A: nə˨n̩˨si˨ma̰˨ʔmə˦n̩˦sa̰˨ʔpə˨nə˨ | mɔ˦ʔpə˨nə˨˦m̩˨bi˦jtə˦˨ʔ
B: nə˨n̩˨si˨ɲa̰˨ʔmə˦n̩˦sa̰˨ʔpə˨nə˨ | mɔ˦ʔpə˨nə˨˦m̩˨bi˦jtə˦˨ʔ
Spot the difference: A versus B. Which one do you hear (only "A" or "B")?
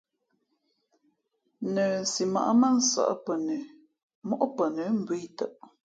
A